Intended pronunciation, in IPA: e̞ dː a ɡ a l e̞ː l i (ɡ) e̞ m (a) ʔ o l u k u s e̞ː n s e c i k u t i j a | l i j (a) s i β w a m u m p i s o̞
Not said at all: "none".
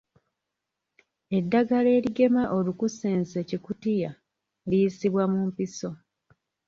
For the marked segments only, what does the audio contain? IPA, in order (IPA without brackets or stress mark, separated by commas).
ɡ, a, i